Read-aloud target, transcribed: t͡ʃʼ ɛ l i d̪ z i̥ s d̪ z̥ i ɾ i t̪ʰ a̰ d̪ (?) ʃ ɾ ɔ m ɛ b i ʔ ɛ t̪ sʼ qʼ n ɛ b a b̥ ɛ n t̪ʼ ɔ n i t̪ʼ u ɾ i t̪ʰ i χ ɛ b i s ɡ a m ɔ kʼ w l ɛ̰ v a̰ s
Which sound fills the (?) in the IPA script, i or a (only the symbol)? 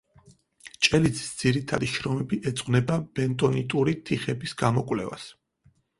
i